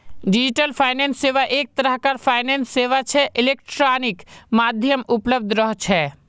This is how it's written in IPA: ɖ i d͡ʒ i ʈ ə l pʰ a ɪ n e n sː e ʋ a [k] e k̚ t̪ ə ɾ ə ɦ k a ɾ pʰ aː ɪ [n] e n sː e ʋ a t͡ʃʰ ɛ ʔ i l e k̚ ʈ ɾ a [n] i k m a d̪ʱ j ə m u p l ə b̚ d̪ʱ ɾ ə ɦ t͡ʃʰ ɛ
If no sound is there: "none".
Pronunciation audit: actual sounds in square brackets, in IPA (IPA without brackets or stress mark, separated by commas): ʔ, n, n